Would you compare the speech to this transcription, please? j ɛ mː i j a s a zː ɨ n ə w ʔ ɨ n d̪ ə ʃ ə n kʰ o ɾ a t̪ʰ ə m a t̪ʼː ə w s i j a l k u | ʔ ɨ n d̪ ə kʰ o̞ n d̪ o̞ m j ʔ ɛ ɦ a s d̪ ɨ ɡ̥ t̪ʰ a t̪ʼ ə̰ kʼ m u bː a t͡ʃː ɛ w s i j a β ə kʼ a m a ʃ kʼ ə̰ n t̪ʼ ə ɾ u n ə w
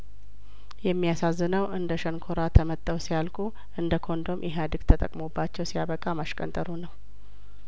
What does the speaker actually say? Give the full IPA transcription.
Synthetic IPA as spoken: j ɛ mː i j a s a zː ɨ n ə w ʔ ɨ n d̪ ə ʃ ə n kʰ o ɾ a t̪ʰ ə m ə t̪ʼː ə w s i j a l kʼ u | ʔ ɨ n d̪ ə kʰ o̞ n d̪ o̞ m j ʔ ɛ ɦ a d̪ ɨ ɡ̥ t̪ʰ ə t̪ʼ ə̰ kʼ m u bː a t͡ʃː ɛ w s i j a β ə kʼ a m a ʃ kʼ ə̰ n t̪ʼ ə ɾ u n ə w